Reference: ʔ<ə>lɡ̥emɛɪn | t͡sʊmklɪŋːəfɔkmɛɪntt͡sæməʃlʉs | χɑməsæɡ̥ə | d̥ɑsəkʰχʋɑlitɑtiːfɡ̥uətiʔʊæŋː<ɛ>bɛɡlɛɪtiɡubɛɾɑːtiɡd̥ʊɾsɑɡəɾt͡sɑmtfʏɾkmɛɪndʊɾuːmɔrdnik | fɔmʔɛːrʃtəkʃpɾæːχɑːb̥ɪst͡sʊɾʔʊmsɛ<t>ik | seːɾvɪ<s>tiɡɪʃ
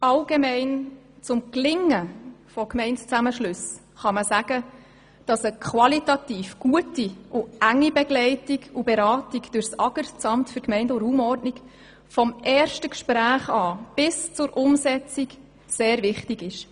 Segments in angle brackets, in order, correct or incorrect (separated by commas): incorrect, incorrect, incorrect, incorrect